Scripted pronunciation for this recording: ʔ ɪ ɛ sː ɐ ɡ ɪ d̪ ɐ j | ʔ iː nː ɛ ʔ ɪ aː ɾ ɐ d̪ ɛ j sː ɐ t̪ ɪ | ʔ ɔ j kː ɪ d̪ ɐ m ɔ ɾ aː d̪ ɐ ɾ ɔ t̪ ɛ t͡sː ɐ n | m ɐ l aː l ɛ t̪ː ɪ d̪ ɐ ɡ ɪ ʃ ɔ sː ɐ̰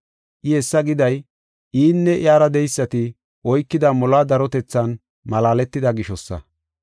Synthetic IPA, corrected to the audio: ʔ ɪ ɛ sː ɐ ɡ ɪ d̪ ɐ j | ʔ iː nː ɛ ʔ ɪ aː ɾ ɐ d̪ ɛ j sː ɐ t̪ ɪ | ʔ ɔ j kː ɪ d̪ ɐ m ɔ l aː d̪ ɐ ɾ ɔ t̪ ɛ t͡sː ɐ n | m ɐ l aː l ɛ t̪ː ɪ d̪ ɐ ɡ ɪ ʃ ɔ sː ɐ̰